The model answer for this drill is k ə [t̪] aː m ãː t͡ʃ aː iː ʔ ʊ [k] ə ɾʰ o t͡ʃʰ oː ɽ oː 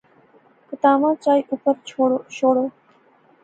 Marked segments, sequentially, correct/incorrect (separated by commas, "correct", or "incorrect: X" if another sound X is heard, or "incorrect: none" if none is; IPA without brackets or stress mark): correct, incorrect: p